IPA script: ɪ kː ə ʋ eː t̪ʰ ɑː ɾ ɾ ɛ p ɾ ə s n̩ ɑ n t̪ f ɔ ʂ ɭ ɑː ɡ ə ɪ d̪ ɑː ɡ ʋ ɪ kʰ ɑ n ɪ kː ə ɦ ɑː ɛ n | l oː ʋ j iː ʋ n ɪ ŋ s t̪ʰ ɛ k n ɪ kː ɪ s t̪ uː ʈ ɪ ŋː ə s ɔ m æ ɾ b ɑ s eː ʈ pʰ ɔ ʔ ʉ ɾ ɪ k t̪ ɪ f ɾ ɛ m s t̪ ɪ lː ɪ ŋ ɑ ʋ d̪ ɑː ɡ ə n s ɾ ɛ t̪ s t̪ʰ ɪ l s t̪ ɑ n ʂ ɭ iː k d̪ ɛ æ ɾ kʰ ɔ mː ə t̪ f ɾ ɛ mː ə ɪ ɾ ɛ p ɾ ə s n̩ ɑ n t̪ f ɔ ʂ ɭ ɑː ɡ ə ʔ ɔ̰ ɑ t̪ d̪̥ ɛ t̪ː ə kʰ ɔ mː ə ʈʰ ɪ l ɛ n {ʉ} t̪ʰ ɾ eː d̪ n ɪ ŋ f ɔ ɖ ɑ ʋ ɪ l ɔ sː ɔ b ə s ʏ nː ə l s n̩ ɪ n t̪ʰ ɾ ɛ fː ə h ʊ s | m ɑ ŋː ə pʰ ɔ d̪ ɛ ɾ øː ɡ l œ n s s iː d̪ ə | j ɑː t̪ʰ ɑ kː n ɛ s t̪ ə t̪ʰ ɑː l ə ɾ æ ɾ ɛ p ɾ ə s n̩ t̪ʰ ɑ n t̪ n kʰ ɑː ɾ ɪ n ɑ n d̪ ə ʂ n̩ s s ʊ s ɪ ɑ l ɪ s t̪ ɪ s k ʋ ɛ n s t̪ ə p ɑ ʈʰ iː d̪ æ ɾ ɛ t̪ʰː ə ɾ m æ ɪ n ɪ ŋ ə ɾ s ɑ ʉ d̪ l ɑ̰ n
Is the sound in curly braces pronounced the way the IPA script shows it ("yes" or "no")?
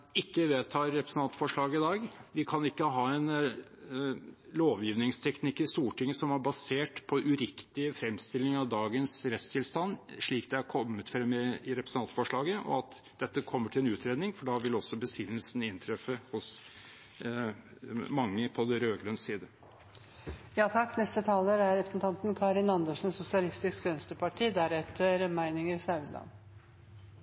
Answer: no